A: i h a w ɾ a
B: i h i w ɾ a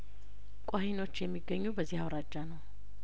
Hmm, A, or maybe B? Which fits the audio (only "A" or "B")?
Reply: A